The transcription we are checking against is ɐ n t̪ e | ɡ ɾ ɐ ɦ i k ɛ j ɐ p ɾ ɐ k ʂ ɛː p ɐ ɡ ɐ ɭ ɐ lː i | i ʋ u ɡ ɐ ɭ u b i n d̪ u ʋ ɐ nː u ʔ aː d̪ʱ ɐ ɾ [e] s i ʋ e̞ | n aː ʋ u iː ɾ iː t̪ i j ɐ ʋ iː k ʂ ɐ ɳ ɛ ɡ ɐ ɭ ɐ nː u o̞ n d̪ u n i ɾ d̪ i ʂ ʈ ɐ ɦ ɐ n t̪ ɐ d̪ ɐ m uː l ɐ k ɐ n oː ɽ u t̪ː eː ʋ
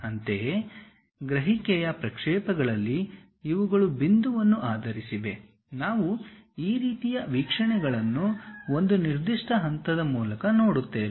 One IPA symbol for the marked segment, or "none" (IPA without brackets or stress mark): i